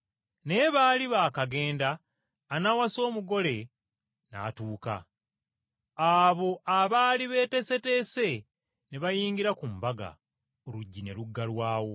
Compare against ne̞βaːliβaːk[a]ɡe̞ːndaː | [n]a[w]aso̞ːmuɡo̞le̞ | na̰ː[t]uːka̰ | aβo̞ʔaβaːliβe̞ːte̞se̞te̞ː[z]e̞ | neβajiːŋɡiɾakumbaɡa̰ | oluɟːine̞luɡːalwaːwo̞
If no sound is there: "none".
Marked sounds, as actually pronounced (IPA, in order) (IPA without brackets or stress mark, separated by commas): a, n, w, t, s